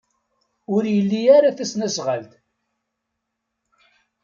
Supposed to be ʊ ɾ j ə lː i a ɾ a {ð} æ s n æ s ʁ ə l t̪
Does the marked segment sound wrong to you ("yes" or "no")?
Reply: yes